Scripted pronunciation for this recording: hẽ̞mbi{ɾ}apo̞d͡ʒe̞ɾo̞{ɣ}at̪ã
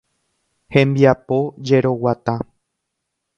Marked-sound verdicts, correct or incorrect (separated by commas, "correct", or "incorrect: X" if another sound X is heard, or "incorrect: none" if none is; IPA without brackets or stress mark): incorrect: none, incorrect: w